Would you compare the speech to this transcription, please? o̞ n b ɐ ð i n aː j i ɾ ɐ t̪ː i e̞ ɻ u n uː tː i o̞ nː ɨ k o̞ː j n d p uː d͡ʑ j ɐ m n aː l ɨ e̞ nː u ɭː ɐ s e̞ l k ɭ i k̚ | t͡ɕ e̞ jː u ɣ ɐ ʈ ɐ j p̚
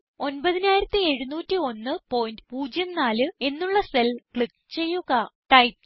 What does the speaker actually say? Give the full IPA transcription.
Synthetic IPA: o̞ n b ɐ ð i n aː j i ɾ ɐ t̪ː i e̞ ɻ u n uː tː i o̞ nː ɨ p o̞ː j n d p uː d͡ʑ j ɐ m n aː l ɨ e̞ nː u ɭː ɐ s e̞ l k ɭ i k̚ | t͡ɕ e̞ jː u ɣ ɐ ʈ ɐ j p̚